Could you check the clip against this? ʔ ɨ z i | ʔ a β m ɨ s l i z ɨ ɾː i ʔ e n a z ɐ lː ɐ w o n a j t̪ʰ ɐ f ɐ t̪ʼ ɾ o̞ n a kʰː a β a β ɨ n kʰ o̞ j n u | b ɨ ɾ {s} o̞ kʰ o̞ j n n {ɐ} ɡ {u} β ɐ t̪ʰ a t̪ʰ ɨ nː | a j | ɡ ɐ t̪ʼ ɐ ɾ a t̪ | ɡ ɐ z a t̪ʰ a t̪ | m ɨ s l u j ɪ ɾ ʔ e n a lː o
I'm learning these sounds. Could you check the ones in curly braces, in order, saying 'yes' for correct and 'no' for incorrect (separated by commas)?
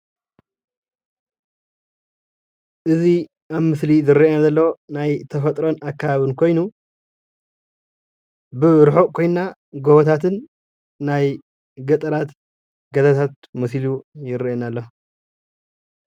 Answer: no, no, no